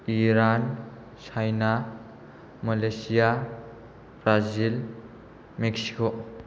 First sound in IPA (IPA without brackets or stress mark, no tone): i